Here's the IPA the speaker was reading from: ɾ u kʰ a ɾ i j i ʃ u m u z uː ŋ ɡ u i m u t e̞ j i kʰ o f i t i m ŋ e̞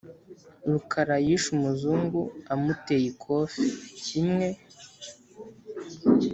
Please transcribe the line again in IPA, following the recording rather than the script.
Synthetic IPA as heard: ɾ u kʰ a ɾ a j i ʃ u m u z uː ŋ ɡ u a m u t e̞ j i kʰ o f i c i m ŋ e̞